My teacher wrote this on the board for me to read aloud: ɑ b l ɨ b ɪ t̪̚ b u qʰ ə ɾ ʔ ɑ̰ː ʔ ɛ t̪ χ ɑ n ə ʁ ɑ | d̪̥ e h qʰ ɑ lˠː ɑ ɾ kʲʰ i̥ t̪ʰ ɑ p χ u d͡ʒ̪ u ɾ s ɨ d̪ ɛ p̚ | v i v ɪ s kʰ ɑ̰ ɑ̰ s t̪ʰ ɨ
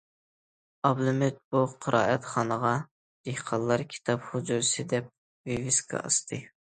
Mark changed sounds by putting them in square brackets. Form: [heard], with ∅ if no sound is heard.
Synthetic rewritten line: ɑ b l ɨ [m] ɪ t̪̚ b u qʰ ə ɾ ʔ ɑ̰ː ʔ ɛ t̪ χ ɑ n ə ʁ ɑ | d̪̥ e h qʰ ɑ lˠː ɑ ɾ kʲʰ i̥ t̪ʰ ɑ p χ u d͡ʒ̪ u ɾ s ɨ d̪ ɛ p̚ | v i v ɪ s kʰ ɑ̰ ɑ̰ s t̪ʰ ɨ